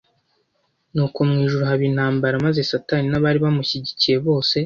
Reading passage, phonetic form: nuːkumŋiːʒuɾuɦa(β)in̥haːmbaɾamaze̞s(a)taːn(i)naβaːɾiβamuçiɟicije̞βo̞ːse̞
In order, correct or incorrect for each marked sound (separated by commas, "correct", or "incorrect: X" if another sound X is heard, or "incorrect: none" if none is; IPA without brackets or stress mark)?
correct, correct, correct